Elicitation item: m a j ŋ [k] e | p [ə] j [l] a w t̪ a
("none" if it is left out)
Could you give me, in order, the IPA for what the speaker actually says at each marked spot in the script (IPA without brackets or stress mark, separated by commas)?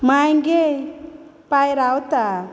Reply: ɡ, a, ɾ